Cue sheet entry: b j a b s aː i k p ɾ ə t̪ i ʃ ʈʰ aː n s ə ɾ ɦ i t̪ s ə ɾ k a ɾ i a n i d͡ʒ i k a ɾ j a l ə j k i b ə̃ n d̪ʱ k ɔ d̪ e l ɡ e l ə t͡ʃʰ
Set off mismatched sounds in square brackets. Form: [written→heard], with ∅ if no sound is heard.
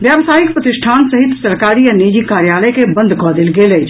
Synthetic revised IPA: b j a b s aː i k p ɾ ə t̪ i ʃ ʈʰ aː n s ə [ɾ→∅] ɦ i t̪ s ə ɾ k a ɾ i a n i d͡ʒ i k a ɾ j a l ə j k [i→e] b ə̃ n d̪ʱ k ɔ d̪ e l ɡ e l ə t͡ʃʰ